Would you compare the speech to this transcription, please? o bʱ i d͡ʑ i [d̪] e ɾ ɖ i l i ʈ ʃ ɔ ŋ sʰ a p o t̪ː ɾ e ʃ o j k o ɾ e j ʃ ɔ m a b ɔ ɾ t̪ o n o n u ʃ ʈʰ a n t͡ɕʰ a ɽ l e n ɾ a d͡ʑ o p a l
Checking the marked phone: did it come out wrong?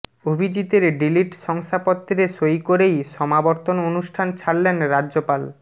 yes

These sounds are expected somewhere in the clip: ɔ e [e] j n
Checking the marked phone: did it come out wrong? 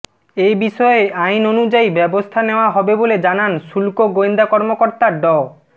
yes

